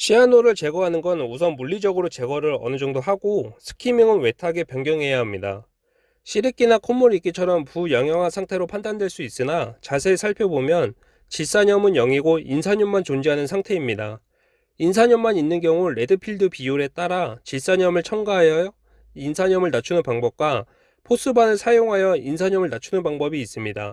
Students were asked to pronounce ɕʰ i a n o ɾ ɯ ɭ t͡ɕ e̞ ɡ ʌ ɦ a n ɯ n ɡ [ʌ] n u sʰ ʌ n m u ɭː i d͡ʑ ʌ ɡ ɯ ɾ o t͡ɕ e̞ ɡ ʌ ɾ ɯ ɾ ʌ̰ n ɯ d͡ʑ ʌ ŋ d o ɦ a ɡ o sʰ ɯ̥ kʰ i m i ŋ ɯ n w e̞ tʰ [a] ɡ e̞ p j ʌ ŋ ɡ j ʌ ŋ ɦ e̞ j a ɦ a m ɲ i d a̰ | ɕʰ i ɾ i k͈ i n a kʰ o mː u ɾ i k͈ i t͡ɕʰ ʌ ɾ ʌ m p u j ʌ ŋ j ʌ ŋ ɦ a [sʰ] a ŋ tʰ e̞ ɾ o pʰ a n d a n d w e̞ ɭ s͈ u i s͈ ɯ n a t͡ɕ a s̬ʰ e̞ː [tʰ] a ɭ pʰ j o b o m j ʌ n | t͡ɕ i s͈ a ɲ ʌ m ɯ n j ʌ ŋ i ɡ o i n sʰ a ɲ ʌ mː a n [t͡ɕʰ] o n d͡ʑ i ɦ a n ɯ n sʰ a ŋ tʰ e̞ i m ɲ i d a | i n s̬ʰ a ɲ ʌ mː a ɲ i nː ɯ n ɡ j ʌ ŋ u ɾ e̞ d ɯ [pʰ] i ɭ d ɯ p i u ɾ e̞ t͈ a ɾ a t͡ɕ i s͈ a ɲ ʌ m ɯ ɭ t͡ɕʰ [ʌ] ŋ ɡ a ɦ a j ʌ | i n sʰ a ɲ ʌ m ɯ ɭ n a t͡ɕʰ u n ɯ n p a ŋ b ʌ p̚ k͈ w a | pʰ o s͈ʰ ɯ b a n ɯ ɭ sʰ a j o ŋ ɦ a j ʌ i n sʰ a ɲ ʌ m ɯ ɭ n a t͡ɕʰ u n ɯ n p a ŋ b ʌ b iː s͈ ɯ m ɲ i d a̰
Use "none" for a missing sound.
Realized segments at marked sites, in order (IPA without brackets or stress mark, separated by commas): ʌ, a, sʰ, sʰ, t͡ɕ, pʰ, ʌ